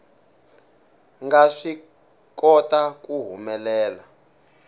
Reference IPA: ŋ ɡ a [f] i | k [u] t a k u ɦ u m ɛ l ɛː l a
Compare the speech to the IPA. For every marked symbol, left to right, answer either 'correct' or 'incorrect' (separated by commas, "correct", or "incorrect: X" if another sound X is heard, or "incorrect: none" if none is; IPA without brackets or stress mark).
incorrect: ʂ, incorrect: ɔ